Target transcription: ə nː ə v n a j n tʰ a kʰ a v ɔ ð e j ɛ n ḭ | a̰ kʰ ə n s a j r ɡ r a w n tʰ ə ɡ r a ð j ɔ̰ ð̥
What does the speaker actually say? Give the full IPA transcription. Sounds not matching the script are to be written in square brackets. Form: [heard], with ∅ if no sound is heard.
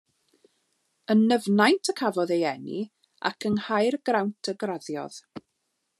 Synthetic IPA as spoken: ə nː ə v n a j n tʰ [ə] kʰ a v ɔ ð e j ɛ n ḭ | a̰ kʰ ə n [h] a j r ɡ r a w n tʰ ə ɡ r a ð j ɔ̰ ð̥